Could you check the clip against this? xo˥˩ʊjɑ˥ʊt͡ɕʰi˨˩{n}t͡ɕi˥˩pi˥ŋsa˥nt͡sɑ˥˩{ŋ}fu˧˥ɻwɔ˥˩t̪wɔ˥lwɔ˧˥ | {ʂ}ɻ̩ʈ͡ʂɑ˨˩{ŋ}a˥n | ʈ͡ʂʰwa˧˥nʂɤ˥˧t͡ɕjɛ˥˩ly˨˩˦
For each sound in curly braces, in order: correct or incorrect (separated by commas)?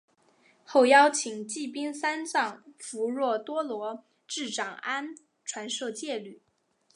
incorrect, correct, incorrect, correct